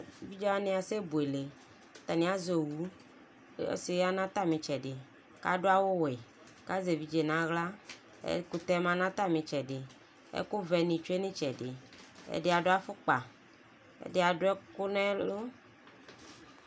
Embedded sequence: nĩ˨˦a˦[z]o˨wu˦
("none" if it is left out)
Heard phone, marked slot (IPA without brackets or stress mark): z